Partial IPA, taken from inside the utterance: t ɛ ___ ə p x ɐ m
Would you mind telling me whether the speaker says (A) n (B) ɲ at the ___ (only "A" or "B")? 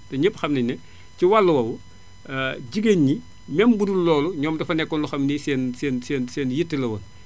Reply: B